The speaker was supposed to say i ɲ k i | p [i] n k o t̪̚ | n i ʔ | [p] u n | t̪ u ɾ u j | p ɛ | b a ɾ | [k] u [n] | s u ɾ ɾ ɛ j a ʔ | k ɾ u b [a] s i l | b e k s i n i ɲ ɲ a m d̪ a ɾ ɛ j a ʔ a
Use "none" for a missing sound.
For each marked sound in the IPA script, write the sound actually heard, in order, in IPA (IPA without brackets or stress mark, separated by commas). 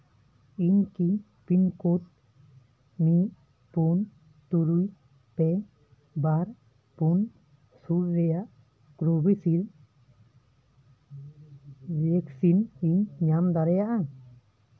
i, p, p, n, i